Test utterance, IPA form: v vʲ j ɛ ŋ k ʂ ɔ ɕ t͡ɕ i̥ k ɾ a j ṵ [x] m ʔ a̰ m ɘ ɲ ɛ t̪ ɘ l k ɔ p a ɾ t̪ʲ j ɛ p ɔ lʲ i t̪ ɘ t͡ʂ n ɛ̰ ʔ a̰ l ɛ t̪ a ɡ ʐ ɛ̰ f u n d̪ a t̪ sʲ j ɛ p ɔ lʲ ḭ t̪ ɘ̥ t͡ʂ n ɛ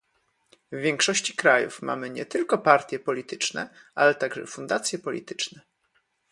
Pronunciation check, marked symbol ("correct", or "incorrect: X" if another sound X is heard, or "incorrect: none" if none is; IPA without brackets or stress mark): incorrect: f